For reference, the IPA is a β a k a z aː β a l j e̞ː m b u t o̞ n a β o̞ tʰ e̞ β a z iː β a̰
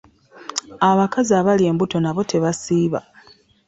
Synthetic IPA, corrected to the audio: a β a k a z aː β a l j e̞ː m b u t o̞ n a β o̞ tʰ e̞ β a s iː β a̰